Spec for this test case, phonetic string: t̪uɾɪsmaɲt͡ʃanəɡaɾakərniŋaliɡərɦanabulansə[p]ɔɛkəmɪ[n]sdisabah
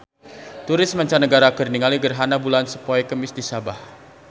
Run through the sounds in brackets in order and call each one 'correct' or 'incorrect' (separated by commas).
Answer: correct, incorrect